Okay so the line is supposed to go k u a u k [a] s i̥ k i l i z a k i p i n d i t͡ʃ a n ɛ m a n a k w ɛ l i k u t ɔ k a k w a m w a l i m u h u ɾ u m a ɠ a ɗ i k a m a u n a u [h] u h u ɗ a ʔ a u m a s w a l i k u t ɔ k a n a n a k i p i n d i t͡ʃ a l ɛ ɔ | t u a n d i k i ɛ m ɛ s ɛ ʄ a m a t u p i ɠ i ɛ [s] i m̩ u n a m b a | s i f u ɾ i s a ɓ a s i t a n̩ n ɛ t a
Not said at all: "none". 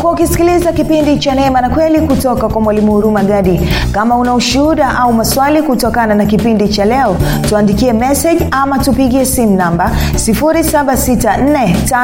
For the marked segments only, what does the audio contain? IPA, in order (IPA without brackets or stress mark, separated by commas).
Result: i, ʃ, s